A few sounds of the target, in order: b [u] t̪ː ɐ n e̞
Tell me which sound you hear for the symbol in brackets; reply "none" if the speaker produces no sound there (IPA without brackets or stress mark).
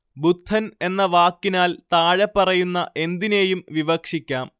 u